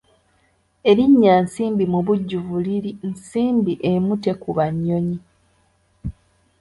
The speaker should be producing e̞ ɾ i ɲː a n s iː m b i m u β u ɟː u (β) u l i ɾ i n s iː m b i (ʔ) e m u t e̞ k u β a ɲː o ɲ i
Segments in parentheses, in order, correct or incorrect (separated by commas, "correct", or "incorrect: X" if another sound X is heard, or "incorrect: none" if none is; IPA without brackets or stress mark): incorrect: v, correct